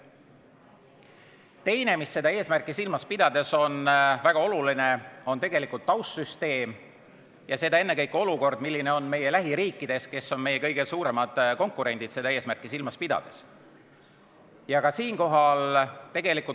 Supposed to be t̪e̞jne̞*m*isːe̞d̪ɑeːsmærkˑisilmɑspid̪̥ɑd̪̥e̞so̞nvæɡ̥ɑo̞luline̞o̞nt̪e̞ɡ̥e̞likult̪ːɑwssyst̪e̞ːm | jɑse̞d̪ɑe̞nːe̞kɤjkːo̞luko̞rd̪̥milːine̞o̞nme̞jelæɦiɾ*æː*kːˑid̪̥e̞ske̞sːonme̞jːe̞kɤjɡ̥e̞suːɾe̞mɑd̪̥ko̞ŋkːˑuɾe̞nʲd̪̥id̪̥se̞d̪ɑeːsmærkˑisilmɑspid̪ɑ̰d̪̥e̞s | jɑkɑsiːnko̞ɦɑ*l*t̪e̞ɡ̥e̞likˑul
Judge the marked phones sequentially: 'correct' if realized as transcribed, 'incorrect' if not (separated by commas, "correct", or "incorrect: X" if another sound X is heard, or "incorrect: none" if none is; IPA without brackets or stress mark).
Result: correct, incorrect: iː, correct